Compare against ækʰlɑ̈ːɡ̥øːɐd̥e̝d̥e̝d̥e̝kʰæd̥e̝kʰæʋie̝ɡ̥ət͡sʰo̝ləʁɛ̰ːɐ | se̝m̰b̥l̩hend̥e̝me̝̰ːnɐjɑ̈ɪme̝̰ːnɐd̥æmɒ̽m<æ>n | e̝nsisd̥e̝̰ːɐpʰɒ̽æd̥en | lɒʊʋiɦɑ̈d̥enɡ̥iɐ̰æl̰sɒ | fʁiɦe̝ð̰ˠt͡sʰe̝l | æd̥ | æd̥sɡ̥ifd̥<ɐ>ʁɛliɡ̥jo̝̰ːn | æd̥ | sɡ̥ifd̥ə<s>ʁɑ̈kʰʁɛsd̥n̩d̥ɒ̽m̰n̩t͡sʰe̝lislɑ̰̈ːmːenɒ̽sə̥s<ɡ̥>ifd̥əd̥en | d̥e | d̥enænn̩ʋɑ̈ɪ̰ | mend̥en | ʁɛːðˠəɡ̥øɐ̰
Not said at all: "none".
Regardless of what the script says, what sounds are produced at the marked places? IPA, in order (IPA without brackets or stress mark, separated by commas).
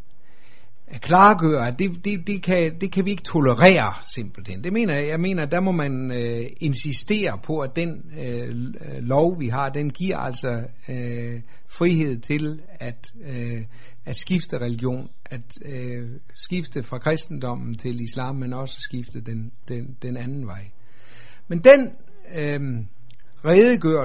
æ, ə, f, ɡ̥